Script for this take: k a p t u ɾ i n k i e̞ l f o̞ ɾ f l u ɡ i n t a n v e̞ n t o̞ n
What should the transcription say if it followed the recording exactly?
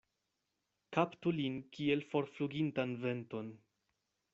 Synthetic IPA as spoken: k a p t u l i n k i e̞ l f o̞ ɾ f l u ɡ i n t a n v e̞ n t o̞ n